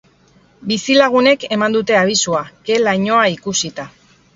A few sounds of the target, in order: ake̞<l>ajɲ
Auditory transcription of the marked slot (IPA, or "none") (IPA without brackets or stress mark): l